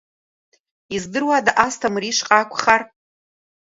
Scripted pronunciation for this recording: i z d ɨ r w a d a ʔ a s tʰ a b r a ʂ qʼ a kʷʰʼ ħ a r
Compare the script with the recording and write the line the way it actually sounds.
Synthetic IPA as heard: i z d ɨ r w a d a ʔ a s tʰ a m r i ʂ qʼ a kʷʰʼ χ a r